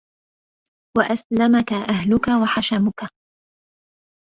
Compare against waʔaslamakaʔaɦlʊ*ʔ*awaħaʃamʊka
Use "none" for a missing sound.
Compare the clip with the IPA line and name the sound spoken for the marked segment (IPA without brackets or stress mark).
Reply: k